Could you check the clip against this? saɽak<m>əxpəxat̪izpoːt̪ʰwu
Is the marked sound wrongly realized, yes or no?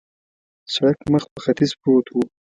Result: no